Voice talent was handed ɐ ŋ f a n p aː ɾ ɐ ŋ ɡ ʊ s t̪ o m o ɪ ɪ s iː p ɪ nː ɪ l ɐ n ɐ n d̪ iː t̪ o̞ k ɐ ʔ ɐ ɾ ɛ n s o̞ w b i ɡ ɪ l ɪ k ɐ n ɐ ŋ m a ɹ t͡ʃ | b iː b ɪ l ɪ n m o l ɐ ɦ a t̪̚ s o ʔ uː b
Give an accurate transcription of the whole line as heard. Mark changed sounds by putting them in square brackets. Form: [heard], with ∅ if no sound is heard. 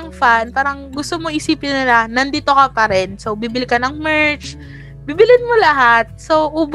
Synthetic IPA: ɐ ŋ f a n p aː ɾ ɐ ŋ ɡ ʊ s t̪ o m o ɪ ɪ s iː p ɪ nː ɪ l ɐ n ɐ n d̪ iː t̪ o̞ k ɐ [p] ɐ ɾ ɛ n s o̞ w b i [b] ɪ l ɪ k ɐ n ɐ ŋ m [ɛ] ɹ t͡ʃ | b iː b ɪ l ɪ n m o l ɐ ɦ a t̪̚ s o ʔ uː b